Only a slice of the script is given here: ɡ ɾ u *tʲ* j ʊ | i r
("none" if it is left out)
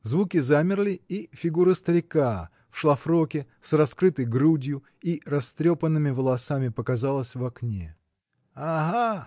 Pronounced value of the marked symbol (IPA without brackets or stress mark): dʲ